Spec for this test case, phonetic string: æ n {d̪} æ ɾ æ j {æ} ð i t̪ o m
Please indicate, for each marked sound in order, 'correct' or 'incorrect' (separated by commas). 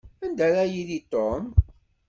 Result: correct, incorrect